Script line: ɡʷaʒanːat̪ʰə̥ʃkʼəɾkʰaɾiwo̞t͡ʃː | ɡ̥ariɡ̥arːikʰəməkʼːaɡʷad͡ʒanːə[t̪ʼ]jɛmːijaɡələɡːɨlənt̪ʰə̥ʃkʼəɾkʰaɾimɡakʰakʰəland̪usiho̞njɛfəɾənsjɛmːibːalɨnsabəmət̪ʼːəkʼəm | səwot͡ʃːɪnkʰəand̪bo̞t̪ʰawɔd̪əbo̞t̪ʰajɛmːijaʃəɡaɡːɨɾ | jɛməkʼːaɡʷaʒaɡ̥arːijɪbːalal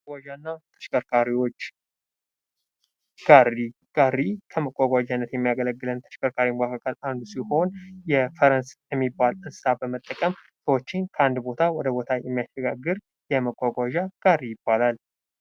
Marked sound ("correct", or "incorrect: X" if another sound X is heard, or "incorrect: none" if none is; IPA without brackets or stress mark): incorrect: t̪